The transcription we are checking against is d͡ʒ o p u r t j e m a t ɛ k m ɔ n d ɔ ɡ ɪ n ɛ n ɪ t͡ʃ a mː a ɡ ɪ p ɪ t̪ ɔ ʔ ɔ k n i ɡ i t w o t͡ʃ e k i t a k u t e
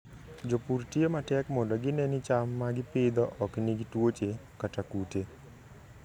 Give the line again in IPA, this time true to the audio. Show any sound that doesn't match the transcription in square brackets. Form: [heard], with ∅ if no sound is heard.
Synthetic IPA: d͡ʒ o p u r t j e m a t ɛ k m ɔ n d ɔ ɡ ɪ n ɛ n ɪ t͡ʃ a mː a ɡ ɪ p ɪ [d̪] ɔ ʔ ɔ k n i ɡ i t w o t͡ʃ e k [a] t a k u t e